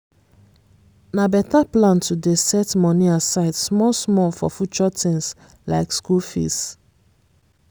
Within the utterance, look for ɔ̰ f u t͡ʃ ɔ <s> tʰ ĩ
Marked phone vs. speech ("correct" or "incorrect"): incorrect